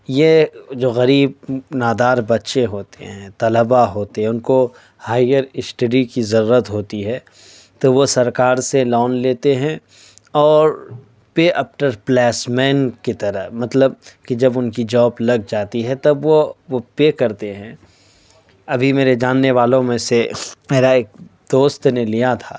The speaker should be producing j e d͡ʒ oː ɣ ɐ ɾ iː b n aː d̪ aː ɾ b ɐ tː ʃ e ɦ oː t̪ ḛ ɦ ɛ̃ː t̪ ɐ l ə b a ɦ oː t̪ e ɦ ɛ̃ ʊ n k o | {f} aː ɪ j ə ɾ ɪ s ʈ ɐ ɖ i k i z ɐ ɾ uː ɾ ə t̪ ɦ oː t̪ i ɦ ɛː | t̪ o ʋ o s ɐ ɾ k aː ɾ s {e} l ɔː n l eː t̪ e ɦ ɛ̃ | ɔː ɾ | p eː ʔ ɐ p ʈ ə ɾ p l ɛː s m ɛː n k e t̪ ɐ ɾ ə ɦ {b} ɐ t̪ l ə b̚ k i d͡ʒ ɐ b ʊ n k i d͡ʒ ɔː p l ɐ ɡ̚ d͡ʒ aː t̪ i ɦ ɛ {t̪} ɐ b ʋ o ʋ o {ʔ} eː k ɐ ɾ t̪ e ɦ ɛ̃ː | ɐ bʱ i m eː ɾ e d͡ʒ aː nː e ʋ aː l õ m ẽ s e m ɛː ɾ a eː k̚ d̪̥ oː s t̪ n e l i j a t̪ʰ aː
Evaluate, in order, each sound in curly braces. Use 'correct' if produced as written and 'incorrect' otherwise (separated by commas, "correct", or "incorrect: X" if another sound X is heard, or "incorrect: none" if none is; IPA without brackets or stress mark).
incorrect: h, correct, incorrect: m, correct, incorrect: p